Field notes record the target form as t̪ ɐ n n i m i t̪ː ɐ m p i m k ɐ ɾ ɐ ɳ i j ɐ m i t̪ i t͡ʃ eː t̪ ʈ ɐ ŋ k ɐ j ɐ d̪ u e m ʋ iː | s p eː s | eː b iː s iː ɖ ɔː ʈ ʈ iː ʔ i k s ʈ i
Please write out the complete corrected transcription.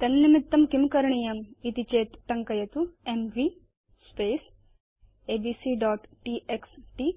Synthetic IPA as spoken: t̪ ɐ n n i m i t̪ː ɐ m k i m k ɐ ɾ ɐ ɳ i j ɐ m i t̪ i t͡ʃ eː t̪ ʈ ɐ ŋ k ɐ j ɐ t̪ u e m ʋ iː | s p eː s | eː b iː s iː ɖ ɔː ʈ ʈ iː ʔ e k s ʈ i